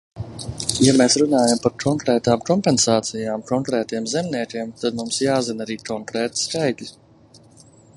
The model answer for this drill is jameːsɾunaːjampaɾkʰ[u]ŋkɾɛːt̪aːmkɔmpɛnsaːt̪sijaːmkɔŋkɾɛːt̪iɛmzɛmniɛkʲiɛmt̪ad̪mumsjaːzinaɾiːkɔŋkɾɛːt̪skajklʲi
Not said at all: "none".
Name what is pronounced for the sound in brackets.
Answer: ɔ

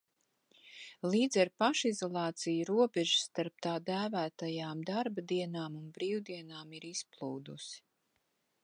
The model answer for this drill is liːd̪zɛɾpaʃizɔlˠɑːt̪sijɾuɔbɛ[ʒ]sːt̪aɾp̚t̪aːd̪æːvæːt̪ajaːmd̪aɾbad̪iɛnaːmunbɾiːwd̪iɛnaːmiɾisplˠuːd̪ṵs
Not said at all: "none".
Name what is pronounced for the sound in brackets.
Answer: ʒ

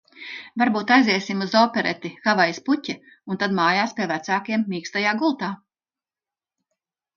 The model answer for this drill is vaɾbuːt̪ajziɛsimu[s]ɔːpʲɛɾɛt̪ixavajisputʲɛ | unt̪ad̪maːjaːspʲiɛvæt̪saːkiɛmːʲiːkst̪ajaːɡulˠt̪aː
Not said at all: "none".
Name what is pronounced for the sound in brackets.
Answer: z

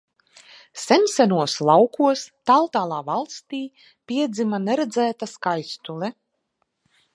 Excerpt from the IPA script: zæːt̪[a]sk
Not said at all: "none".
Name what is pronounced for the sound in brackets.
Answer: a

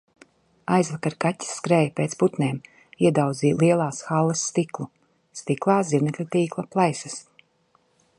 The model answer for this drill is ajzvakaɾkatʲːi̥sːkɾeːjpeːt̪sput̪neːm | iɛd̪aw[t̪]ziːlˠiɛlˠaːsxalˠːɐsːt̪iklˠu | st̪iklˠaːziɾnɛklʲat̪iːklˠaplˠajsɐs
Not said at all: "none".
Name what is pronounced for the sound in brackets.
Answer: d̪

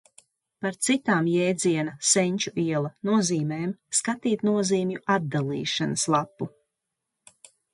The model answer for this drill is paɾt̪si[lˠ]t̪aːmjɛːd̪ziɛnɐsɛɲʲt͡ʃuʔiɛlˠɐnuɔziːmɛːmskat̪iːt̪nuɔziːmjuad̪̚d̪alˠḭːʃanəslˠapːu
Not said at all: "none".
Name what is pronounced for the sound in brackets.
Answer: none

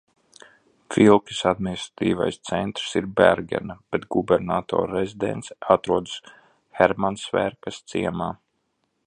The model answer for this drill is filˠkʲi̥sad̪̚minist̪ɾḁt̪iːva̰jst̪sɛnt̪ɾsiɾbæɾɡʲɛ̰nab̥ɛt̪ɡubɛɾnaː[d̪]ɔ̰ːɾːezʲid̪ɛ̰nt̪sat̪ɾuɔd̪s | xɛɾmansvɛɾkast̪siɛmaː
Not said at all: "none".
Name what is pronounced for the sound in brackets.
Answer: t̪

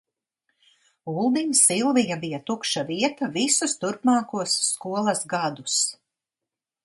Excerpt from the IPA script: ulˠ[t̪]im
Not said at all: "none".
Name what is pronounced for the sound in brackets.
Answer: d̪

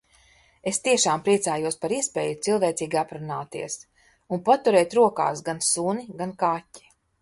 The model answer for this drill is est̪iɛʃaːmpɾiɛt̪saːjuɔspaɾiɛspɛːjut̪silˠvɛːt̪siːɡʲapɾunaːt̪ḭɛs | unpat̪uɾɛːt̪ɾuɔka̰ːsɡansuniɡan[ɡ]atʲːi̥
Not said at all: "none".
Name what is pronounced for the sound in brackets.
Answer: k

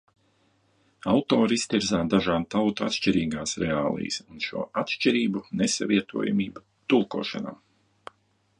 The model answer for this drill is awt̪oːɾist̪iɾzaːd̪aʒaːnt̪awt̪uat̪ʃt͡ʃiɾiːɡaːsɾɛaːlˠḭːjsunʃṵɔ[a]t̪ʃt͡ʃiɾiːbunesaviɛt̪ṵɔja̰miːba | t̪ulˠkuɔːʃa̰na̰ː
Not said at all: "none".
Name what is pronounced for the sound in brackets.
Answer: a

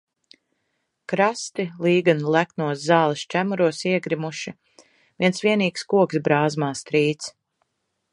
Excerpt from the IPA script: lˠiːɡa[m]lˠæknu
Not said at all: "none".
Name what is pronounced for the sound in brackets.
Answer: n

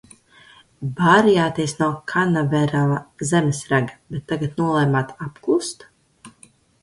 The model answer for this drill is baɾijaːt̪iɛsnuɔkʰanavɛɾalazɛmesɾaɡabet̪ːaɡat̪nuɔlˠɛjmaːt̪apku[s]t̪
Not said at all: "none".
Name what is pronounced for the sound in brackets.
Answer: s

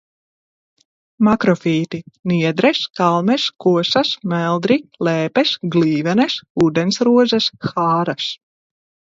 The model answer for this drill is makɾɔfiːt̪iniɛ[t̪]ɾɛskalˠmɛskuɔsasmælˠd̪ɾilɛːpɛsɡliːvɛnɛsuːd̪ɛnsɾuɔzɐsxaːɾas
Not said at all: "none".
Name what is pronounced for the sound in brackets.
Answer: d̪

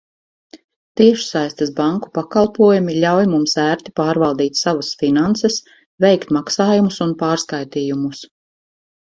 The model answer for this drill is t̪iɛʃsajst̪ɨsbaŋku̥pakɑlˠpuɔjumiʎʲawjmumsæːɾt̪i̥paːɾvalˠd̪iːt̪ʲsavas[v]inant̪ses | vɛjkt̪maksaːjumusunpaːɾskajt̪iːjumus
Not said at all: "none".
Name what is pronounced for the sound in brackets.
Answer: f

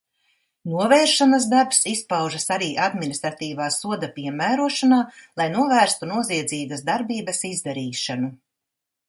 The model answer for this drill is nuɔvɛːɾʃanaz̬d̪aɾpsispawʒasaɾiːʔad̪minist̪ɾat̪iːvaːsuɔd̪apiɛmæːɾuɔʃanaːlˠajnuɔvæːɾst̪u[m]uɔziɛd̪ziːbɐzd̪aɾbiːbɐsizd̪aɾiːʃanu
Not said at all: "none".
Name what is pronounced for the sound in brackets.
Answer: n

